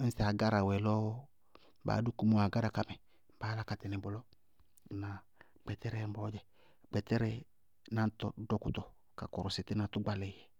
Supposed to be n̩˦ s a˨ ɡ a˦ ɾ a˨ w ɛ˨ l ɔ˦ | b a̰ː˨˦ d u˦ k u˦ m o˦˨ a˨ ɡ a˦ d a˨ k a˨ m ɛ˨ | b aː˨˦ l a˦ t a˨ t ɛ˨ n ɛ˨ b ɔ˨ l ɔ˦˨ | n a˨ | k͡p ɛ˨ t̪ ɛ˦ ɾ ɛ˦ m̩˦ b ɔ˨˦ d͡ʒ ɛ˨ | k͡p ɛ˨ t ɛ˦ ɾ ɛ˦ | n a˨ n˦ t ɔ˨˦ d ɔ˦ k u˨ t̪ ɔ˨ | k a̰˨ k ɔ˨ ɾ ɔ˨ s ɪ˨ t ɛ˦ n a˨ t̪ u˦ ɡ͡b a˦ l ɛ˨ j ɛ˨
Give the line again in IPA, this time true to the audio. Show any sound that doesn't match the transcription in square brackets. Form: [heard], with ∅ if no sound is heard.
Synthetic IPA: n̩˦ s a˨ ɡ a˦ ɾ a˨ w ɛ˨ l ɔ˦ | b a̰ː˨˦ d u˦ k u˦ m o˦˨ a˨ ɡ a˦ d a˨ k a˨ m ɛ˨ | b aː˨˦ l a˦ [k] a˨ t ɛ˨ n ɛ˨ b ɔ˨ l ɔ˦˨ | n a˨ | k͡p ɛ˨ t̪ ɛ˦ ɾ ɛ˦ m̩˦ b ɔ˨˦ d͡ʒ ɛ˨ | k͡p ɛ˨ t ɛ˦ ɾ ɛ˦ | n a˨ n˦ t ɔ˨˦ d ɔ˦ k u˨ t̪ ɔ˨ | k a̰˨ k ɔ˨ ɾ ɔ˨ s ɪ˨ t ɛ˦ n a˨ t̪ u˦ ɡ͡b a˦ l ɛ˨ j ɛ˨